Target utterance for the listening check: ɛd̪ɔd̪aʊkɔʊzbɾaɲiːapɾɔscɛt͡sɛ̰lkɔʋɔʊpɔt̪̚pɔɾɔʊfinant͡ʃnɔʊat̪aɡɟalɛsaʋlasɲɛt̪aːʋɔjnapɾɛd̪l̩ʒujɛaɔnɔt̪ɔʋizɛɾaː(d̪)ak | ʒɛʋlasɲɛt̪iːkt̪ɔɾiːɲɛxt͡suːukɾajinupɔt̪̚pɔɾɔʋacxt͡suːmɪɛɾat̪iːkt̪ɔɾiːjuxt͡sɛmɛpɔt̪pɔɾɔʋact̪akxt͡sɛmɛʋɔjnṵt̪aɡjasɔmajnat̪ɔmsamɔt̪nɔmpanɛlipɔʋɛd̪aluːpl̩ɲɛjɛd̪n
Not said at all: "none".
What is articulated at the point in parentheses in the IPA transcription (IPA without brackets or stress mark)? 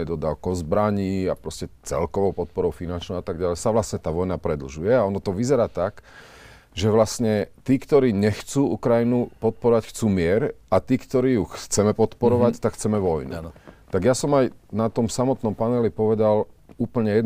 t̪